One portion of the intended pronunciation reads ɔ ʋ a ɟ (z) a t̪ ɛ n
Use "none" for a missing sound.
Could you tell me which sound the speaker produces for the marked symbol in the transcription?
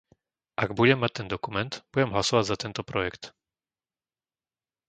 z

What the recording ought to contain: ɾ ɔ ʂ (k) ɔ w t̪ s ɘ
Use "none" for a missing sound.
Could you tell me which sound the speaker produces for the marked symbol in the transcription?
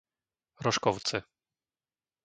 k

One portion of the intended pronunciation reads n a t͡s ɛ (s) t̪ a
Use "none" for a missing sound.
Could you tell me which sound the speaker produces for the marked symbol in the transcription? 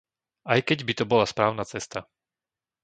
s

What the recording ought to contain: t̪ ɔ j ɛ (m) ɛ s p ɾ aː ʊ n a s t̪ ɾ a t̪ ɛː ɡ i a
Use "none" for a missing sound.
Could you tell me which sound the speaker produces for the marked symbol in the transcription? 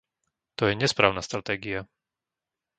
ɲ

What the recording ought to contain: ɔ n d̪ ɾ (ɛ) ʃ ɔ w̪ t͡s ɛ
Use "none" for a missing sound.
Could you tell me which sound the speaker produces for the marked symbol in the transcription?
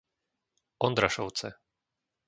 a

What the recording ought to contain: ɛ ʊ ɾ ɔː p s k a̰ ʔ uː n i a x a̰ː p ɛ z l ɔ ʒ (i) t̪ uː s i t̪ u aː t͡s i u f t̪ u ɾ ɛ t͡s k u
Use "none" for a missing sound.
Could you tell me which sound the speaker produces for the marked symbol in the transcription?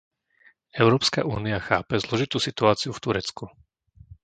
i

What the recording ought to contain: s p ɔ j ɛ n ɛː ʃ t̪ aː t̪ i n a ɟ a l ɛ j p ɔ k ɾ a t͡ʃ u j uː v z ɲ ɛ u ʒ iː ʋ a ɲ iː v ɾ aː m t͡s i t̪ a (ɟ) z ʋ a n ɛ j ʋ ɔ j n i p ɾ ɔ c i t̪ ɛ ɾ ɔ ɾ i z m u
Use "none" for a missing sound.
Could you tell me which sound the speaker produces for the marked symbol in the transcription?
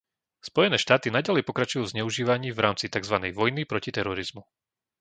ɡ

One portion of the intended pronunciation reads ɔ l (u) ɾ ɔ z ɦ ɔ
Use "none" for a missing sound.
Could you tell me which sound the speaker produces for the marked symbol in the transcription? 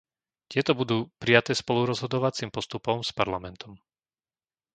u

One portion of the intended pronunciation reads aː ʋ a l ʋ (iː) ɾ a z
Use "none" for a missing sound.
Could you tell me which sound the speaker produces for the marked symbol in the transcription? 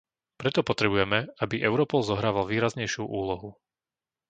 iː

